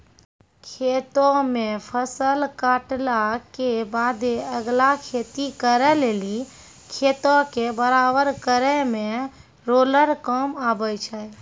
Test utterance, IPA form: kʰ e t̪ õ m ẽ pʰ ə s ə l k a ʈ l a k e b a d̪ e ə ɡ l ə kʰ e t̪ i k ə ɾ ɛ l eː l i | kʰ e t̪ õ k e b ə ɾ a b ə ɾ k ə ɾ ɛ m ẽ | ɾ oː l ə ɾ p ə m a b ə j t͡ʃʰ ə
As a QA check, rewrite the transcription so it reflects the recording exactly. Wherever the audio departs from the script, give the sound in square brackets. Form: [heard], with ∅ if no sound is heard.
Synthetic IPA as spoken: kʰ e t̪ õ m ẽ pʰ ə s ə l k a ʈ l a k e b a d̪ e ə ɡ l [a] kʰ e t̪ i k ə ɾ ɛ l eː l i | kʰ e t̪ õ k e b ə ɾ a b ə ɾ k ə ɾ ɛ m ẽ | ɾ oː l ə ɾ [k] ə m a b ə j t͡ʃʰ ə